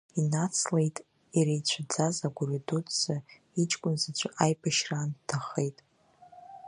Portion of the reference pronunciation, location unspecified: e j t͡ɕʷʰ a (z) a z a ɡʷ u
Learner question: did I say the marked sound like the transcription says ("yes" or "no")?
no